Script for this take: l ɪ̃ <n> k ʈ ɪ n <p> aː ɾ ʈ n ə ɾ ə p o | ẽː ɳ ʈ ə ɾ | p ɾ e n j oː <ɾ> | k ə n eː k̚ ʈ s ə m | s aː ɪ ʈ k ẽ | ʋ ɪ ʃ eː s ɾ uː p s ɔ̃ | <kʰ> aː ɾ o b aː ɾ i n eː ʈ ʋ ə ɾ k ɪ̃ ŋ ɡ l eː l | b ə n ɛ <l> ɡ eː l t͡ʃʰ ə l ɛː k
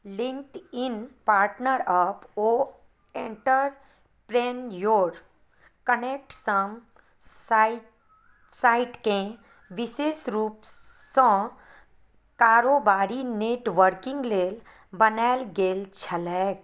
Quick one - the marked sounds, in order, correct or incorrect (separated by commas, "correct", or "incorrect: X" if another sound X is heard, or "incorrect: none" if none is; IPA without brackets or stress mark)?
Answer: incorrect: ŋ, correct, correct, incorrect: k, correct